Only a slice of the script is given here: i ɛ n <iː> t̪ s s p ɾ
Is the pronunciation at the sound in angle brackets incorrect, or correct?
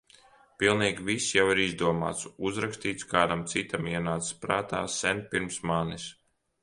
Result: incorrect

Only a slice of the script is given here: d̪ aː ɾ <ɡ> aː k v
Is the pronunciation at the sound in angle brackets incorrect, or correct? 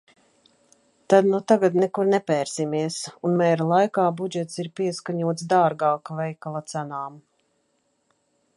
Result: correct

